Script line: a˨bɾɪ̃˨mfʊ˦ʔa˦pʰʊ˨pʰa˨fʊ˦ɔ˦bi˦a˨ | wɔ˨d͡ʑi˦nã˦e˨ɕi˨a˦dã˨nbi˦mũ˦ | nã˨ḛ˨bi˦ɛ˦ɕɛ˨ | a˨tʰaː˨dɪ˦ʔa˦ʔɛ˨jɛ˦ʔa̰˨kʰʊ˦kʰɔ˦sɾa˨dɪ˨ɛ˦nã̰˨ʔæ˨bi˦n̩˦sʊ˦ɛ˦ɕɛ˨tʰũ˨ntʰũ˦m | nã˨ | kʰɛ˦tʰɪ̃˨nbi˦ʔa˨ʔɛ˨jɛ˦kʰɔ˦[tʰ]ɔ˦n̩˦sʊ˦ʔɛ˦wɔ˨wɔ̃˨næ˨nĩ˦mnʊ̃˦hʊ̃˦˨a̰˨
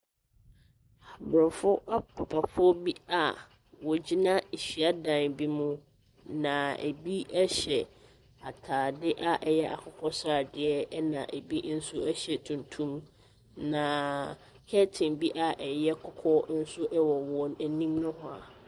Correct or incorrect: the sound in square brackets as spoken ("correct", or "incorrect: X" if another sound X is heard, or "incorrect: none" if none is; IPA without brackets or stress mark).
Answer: incorrect: kʰ